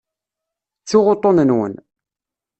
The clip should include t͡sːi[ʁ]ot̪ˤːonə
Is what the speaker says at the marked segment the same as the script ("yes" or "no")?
yes